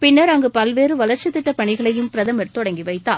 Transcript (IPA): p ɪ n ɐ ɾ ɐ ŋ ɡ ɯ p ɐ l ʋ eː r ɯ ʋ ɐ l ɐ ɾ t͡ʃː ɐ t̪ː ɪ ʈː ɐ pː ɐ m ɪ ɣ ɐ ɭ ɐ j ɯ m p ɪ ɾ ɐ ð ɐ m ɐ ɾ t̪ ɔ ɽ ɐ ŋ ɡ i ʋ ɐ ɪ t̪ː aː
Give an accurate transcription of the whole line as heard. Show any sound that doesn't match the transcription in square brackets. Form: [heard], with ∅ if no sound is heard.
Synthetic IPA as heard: p ɪ [nː] ɐ ɾ ɐ ŋ ɡ ɯ p ɐ l ʋ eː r ɯ ʋ ɐ l ɐ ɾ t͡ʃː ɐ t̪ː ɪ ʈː ɐ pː ɐ [ɳ] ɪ ɣ ɐ ɭ ɐ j ɯ m p ɪ ɾ ɐ ð ɐ m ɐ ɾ t̪ ɔ ɽ ɐ ŋ ɡ i ʋ ɐ ɪ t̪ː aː